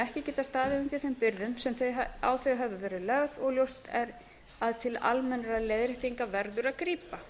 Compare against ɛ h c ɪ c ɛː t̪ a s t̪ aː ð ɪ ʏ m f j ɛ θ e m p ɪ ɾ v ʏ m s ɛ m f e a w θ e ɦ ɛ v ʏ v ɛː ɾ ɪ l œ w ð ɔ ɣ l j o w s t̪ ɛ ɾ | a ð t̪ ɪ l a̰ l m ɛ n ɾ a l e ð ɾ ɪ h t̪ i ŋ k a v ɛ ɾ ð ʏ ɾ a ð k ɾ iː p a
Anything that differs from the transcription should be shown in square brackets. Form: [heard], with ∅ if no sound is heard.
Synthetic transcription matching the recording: ɛ h c ɪ c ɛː t̪ a s t̪ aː ð ɪ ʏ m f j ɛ θ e m p ɪ ɾ [ð] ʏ m s ɛ m [θ] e a w θ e ɦ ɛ v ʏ v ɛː ɾ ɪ l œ [ɣ] ð ɔ ɣ l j o w s t̪ ɛ ɾ | a ð [t̪ʰ] ɪ l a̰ l m ɛ n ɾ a l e ð ɾ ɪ h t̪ i ŋ k a v ɛ ɾ ð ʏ ɾ a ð k ɾ iː p a